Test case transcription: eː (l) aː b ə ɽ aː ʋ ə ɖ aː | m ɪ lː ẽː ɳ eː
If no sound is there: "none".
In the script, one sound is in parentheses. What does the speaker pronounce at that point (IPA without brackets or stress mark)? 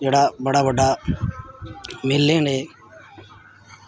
ɽ